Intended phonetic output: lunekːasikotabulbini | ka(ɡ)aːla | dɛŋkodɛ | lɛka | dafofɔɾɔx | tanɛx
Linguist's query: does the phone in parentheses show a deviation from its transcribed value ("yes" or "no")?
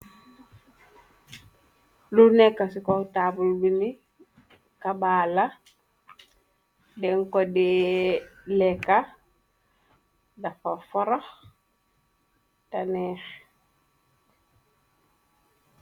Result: yes